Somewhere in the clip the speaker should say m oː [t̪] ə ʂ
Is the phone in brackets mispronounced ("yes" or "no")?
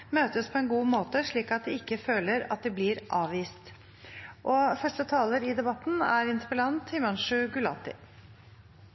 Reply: no